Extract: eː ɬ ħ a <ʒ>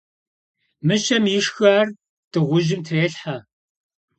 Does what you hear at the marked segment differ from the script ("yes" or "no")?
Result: yes